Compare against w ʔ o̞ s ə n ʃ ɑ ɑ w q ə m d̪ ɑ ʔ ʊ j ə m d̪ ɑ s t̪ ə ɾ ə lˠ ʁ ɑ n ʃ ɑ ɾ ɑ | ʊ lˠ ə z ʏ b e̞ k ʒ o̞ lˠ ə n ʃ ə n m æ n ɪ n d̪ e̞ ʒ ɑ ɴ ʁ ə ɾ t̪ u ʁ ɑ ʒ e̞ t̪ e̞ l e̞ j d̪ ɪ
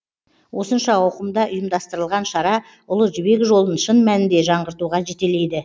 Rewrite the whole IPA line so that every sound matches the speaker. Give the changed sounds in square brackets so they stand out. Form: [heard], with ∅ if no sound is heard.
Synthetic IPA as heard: w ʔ o̞ s ə n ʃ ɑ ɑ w q ə m d̪ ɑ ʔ ʊ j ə m d̪ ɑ s t̪ ə ɾ ə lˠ ʁ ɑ n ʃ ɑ ɾ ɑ | ʊ lˠ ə [ʒ] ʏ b e̞ k ʒ o̞ lˠ ə n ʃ ə n m æ n ɪ n d̪ e̞ ʒ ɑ ɴ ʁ ə ɾ t̪ u ʁ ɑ ʒ e̞ t̪ e̞ l e̞ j d̪ ɪ